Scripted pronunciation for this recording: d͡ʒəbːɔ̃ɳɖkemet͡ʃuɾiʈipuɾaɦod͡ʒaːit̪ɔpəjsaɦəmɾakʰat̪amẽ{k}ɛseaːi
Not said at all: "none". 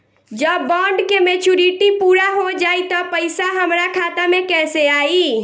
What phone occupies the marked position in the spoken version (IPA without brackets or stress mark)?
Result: k